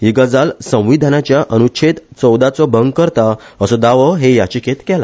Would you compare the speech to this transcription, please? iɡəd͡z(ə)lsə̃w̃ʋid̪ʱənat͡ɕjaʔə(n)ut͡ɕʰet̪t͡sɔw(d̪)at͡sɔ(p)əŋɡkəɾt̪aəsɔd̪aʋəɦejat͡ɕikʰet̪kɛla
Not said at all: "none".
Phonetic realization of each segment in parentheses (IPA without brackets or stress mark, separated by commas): a, n, d̪, b